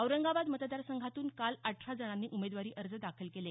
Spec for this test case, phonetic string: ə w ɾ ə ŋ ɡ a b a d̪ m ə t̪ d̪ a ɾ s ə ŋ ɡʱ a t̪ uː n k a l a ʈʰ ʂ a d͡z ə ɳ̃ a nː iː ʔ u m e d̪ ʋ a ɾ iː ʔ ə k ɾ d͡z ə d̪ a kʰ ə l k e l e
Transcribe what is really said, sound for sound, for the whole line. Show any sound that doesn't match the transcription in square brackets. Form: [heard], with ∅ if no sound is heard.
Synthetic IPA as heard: ə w ɾ ə ŋ ɡ a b a d̪ m ə t̪ d̪ a ɾ s ə ŋ ɡʱ a t̪ uː n k a l a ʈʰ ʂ a d͡z ə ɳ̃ a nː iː ʔ u m e d̪ ʋ a ɾ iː ʔ ə [∅] ɾ d͡z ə d̪ a kʰ ə l k e l e

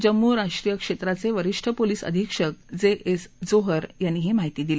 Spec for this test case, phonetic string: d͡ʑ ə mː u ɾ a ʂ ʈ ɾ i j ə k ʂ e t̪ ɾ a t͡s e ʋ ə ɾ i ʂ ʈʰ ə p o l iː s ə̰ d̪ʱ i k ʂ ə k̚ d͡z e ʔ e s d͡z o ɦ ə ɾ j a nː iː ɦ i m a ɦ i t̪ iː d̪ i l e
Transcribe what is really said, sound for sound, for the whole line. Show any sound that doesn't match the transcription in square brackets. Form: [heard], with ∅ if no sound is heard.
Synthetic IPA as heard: d͡ʑ ə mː u ɾ a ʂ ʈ ɾ i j ə k ʂ e t̪ ɾ a t͡s e ʋ ə ɾ i ʂ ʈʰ ə p o l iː s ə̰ d̪ʱ i k ʂ ə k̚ d͡z e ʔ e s d͡z o ɦ ə ɾ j a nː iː ɦ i m a ɦ i t̪ iː d̪ i l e

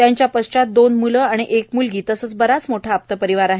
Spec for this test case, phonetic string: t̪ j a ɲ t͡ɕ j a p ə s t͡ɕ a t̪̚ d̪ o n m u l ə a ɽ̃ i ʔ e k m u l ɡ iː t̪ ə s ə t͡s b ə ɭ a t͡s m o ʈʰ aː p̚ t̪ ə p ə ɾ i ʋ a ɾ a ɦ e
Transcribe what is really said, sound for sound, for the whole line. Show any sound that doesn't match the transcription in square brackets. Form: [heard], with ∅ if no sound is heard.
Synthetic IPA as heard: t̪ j a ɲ t͡ɕ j a p ə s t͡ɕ a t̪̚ d̪ o n m u l ə a ɽ̃ i ʔ e k m u l ɡ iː t̪ ə s ə t͡s b ə [ɾ] a t͡s m o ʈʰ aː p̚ t̪ ə p ə ɾ i ʋ a ɾ a ɦ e

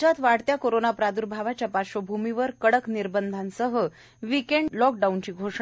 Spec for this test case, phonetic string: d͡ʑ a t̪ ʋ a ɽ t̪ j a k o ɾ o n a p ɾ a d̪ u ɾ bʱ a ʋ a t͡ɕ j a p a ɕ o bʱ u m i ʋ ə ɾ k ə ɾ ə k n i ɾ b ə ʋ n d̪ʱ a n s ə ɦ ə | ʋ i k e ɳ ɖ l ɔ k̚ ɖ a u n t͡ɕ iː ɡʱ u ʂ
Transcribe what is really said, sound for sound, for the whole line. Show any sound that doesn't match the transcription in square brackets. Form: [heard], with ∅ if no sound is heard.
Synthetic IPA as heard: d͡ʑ a t̪ ʋ a ɽ t̪ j a k o ɾ o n a p ɾ a d̪ u ɾ bʱ a ʋ a t͡ɕ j a p a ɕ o bʱ u m i ʋ ə ɾ k ə [ɽ] ə k n i ɾ b ə [∅] n d̪ʱ a n s ə ɦ ə | ʋ i k e ɳ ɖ l ɔ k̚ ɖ a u n t͡ɕ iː ɡʱ [o] ʂ

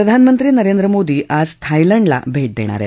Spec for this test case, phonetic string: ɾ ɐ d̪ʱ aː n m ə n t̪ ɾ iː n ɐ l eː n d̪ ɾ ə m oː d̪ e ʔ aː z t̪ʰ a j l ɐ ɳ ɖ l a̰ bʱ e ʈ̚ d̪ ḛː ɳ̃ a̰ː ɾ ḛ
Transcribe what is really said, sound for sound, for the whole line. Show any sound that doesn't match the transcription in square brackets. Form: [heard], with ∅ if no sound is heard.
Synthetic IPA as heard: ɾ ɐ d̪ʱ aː n m ə n t̪ ɾ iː n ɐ [ɾ] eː n d̪ ɾ ə m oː d̪ [i] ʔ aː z t̪ʰ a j l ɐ ɳ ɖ l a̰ bʱ e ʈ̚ d̪ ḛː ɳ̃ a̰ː ɾ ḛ

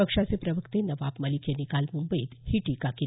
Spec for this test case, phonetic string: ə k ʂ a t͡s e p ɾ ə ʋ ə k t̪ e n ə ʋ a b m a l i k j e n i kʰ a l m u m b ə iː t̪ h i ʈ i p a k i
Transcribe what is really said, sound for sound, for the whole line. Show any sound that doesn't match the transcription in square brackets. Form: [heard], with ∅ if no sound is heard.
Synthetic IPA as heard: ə k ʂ a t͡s e p ɾ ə ʋ ə k t̪ e n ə ʋ a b m [ə] l i k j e n i [k] a l m u m b ə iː t̪ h i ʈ i [k] a k i

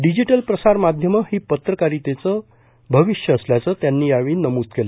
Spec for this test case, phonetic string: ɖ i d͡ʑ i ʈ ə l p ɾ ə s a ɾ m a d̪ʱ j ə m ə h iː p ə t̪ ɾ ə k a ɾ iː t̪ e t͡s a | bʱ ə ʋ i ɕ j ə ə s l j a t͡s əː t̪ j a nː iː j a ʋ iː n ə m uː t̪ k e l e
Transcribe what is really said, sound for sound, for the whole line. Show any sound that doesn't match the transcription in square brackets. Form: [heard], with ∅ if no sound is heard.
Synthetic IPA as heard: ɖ i d͡ʑ i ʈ ə l p ɾ ə s a ɾ m a d̪ʱ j ə m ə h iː p ə t̪ ɾ ə k a ɾ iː t̪ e t͡s [ə] | bʱ ə ʋ i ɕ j ə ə s l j a t͡s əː t̪ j a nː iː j a ʋ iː n ə m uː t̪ k e l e

